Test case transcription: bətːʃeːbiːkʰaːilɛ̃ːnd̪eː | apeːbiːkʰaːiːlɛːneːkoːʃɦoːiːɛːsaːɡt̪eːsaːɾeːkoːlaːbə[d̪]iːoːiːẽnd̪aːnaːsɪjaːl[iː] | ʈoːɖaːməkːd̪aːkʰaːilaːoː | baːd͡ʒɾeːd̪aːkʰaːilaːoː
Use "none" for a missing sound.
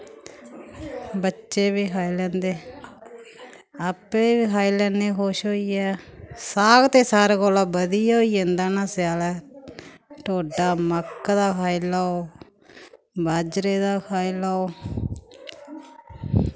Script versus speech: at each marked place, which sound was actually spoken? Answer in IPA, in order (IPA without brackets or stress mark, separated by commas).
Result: d̪, ɛː